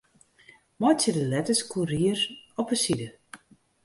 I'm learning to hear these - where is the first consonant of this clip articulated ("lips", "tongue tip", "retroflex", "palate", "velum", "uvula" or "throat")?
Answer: lips